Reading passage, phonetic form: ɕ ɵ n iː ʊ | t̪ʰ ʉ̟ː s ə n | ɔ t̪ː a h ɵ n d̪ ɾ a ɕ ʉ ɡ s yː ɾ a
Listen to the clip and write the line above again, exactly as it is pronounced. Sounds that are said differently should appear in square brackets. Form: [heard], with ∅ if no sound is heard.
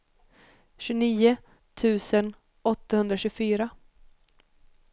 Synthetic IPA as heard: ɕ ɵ n iː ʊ | t̪ʰ ʉ̟ː s ə n | ɔ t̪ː a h ɵ n d̪ ɾ a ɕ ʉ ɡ [f] yː ɾ a